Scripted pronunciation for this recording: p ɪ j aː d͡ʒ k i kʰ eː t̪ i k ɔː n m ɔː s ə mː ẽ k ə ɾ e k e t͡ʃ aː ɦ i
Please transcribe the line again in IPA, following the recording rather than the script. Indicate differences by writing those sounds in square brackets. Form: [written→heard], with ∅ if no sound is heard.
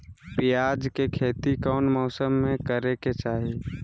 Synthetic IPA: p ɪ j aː d͡ʒ k [i→e] kʰ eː t̪ i k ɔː n m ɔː s ə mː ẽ k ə ɾ e k e t͡ʃ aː ɦ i